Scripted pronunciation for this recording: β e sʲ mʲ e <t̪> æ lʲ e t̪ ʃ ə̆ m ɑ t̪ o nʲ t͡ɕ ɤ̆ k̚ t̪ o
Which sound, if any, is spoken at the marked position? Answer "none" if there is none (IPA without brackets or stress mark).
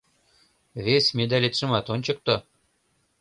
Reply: d̪